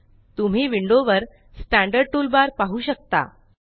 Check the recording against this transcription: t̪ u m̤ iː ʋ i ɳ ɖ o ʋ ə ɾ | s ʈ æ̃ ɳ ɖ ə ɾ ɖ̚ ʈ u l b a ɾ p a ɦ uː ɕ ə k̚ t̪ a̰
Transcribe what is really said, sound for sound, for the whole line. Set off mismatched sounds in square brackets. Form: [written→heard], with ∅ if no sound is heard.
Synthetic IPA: t̪ u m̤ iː ʋ i ɳ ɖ o ʋ ə ɾ | s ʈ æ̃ ɳ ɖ ə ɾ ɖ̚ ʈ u l b a ɾ p a ɦ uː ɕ ə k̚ t̪ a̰